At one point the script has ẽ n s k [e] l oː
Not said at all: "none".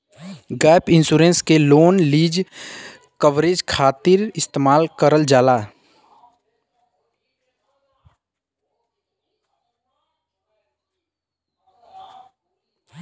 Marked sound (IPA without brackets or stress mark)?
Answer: e